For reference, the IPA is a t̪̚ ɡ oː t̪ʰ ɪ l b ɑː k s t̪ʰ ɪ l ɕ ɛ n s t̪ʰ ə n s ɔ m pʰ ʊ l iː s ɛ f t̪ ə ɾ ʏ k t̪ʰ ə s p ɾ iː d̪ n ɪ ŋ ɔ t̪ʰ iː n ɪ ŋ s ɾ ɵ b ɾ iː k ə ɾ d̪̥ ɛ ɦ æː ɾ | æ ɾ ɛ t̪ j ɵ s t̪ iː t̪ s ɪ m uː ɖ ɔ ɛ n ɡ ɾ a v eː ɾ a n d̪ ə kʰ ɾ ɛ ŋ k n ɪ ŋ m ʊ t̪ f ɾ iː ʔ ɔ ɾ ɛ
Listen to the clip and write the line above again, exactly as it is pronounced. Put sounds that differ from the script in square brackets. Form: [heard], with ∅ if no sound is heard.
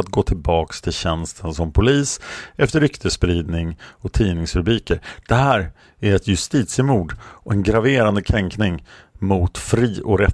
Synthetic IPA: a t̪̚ ɡ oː t̪ʰ ɪ l b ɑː k s t̪ʰ ɪ l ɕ ɛ n s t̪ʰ ə n s ɔ m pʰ ʊ l iː s ɛ f t̪ ə ɾ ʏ k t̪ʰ ə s p ɾ iː d̪ n ɪ ŋ ɔ t̪ʰ iː n ɪ ŋ s ɾ ɵ b ɾ iː k ə ɾ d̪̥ ɛ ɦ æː ɾ | æ ɾ ɛ t̪ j ɵ s t̪ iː t̪ s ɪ m uː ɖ ɔ ɛ n ɡ ɾ a v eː ɾ a n d̪ ə kʰ ɾ ɛ ŋ k n ɪ ŋ m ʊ t̪ f ɾ iː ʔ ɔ ɾ ɛ